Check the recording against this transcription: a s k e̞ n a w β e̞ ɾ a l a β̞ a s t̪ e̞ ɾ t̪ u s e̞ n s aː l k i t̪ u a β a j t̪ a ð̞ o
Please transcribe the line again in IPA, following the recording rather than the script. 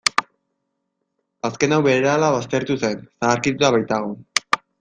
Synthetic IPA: a s k e̞ n a w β e̞ ɾ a l a β̞ a s t̪ e̞ ɾ t̪ u s e̞ n s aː ɾ k i t̪ u a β a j t̪ a ɣ̞ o